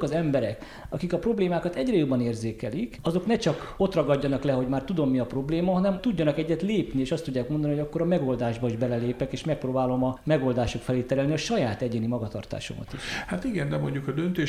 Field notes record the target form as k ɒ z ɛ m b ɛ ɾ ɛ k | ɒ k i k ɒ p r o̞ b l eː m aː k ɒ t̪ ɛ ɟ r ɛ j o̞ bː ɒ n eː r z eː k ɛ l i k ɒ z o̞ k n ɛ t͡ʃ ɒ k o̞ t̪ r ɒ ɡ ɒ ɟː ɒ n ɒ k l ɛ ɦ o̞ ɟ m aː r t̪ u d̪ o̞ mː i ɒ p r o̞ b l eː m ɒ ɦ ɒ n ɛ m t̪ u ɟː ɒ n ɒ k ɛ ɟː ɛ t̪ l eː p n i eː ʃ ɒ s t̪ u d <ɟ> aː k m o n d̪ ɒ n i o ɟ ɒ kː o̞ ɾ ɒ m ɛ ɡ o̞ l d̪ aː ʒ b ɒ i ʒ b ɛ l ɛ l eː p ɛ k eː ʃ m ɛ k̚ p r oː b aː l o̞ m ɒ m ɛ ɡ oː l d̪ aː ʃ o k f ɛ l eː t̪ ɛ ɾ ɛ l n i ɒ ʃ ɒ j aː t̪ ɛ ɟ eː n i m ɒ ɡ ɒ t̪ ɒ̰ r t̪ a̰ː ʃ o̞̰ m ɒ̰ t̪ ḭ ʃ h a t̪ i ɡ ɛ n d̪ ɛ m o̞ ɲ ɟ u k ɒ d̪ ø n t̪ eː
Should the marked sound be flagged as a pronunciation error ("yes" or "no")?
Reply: yes